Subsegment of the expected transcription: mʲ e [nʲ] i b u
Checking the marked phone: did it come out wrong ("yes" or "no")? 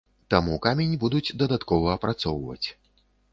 no